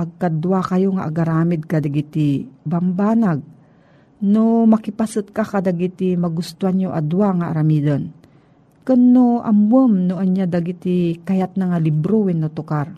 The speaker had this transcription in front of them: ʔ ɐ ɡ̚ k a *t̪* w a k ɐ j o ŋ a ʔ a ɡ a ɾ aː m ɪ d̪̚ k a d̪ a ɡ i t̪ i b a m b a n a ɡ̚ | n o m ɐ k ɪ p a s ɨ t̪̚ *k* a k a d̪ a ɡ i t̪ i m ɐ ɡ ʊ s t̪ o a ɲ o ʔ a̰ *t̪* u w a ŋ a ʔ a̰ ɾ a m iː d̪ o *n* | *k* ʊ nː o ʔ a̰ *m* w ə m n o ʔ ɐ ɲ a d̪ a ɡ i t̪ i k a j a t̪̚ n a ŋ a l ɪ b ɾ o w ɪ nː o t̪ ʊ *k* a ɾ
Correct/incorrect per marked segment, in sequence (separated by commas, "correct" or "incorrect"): incorrect, correct, incorrect, correct, correct, correct, correct